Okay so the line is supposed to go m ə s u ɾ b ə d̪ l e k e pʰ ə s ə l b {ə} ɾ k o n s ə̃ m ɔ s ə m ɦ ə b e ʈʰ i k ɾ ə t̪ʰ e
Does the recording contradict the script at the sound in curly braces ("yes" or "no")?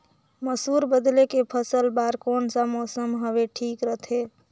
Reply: yes